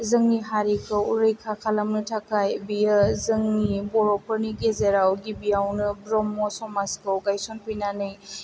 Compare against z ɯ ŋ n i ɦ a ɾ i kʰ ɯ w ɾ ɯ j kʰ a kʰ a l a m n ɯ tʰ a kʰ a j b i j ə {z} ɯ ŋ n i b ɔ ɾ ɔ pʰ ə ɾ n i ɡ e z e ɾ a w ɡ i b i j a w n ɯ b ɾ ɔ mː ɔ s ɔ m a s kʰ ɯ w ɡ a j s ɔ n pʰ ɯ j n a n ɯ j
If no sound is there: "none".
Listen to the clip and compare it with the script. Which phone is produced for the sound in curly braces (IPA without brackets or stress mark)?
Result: z